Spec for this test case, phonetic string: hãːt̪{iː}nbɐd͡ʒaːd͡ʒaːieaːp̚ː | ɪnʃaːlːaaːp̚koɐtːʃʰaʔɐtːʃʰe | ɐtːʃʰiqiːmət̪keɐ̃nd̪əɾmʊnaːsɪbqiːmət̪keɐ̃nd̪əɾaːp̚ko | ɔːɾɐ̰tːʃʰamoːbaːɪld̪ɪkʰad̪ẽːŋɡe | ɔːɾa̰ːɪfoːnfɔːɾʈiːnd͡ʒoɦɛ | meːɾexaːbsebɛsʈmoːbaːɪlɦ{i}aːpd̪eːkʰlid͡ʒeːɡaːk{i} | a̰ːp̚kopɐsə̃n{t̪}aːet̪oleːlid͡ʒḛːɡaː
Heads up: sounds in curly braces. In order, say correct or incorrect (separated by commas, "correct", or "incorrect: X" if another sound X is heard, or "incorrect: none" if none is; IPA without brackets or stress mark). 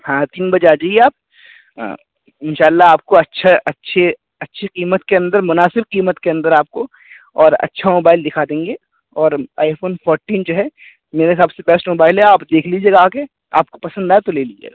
correct, incorrect: ɛ, incorrect: e, incorrect: d̪